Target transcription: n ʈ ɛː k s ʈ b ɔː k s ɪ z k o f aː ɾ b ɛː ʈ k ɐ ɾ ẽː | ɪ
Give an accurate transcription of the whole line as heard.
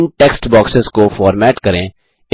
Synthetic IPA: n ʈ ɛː k s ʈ b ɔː k s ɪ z k o f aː ɾ m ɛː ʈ k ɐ ɾ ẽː | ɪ